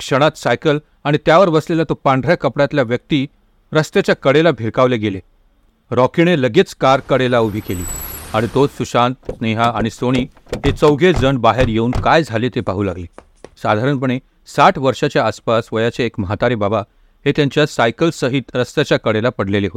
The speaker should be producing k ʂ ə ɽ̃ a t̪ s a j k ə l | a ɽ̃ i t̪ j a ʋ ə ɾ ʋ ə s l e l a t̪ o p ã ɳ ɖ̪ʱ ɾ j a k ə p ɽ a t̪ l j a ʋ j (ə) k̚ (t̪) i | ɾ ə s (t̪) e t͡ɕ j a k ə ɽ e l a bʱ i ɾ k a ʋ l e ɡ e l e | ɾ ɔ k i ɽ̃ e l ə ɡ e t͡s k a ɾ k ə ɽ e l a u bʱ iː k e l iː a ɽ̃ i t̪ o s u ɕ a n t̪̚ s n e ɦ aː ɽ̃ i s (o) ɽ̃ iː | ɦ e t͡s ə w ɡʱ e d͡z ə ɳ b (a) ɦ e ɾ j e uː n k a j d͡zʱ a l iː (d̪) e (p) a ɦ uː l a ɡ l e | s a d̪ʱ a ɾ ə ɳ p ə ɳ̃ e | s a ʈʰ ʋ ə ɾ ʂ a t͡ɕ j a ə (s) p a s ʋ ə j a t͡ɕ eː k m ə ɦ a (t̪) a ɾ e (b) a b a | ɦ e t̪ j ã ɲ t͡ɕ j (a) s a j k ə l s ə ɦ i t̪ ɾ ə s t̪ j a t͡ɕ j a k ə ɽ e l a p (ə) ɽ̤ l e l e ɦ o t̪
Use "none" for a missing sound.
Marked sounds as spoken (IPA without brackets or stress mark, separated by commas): ə, t̪, t̪, o, a, t̪, p, s, t̪, b, a, ə